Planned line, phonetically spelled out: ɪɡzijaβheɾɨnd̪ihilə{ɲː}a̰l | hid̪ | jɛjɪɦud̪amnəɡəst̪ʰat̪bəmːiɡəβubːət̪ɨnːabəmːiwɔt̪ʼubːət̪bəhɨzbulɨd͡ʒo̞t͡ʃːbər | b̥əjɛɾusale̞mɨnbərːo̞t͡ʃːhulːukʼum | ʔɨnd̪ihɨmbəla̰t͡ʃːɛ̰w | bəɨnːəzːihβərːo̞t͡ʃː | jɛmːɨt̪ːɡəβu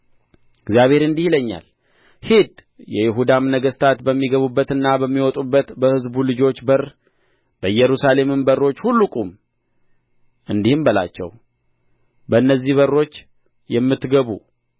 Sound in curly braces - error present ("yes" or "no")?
no